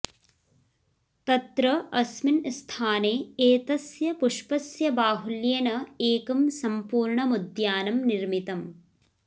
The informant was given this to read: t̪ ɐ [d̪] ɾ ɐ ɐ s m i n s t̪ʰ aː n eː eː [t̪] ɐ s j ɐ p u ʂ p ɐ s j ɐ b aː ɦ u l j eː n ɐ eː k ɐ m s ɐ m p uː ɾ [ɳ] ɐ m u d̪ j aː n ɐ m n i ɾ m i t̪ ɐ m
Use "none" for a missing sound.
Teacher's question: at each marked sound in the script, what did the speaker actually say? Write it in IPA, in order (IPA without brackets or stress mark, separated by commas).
t̪, t̪, ɳ